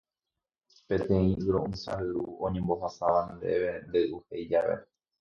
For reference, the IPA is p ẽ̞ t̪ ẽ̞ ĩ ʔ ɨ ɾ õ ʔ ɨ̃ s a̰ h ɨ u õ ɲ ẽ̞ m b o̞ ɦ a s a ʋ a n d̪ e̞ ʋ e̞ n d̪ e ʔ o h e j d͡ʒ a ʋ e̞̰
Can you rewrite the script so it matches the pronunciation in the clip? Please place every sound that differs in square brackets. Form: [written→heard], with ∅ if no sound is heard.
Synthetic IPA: p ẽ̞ t̪ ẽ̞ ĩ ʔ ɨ ɾ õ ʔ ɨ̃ s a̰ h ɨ u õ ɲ ẽ̞ m b o̞ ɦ a s a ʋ a n d̪ e̞ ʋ e̞ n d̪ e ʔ [o→u] h e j d͡ʒ a ʋ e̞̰